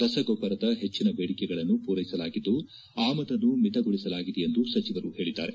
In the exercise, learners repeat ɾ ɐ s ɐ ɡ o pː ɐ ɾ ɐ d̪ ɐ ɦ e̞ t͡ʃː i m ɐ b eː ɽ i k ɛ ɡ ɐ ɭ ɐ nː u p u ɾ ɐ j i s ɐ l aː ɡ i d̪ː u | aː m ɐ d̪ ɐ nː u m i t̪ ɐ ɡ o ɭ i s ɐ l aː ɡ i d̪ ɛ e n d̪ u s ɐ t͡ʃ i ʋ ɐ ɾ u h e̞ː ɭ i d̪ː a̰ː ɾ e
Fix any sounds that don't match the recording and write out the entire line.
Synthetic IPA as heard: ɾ ɐ s ɐ ɡ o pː ɐ ɾ ɐ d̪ ɐ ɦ e̞ t͡ʃː i n ɐ b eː ɽ i k ɛ ɡ ɐ ɭ ɐ nː u p uː ɾ ɐ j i s ɐ l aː ɡ i d̪ː u | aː m ɐ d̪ ɐ nː u m i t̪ ɐ ɡ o ɭ i s ɐ l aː ɡ i d̪ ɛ e n d̪ u s ɐ t͡ʃ i ʋ ɐ ɾ u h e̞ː ɭ i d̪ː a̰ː ɾ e